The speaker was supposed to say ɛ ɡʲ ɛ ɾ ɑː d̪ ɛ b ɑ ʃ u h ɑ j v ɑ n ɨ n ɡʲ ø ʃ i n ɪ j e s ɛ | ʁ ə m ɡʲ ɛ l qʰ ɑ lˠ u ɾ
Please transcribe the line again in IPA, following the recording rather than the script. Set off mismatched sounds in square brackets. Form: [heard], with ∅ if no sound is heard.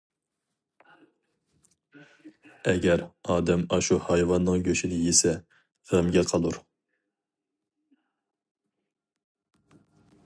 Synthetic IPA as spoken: ɛ ɡʲ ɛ ɾ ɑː d̪ ɛ [m] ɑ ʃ u h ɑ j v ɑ [nː] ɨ [ŋ] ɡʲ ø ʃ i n ɪ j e s ɛ | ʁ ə m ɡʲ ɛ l qʰ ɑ lˠ u ɾ